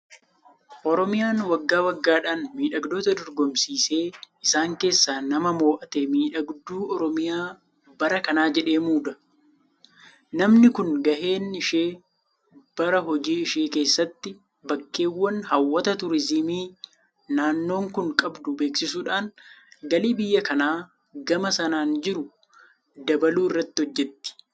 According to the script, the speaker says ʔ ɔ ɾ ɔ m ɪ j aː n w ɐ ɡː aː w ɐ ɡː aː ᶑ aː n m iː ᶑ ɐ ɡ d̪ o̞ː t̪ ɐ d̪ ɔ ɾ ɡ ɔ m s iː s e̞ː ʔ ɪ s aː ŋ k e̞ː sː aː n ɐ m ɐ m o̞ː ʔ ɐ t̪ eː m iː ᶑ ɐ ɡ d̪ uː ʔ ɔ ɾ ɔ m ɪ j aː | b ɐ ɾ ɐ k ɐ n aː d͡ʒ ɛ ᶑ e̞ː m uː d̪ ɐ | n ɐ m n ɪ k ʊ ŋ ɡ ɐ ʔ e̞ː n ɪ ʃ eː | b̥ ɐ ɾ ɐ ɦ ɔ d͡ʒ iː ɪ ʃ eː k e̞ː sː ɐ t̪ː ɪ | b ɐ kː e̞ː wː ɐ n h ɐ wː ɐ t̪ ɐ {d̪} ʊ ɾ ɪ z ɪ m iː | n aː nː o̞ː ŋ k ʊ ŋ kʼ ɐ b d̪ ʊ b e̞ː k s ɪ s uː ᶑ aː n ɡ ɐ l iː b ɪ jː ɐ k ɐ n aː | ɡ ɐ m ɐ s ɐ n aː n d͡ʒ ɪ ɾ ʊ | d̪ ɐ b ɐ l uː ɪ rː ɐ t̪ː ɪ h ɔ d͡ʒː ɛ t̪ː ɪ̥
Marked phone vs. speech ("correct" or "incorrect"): incorrect